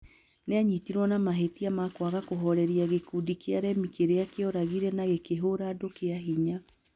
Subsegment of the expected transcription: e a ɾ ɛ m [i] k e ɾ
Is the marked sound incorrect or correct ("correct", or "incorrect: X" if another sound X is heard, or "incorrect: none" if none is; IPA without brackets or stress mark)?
correct